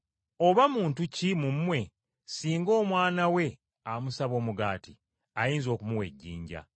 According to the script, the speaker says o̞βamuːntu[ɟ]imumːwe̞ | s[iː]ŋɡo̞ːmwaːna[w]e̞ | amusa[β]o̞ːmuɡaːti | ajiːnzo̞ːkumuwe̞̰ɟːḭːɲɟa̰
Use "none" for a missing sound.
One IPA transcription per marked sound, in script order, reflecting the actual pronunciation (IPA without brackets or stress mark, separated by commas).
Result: c, iː, w, β